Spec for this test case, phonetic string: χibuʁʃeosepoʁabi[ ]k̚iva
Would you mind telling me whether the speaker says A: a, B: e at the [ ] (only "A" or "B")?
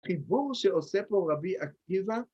A